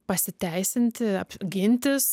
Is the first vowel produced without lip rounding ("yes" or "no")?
yes